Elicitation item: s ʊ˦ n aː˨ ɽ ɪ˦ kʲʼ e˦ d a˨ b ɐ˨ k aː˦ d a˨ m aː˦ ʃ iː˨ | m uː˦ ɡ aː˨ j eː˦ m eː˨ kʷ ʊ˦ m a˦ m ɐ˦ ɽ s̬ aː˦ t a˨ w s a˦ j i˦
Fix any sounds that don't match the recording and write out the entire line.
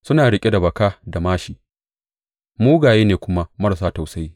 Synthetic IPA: s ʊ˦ n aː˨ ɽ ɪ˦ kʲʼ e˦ d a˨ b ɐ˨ k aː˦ d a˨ m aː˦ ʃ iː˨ | m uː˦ ɡ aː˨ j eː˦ n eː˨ kʷ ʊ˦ m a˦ m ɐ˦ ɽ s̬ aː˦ t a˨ w s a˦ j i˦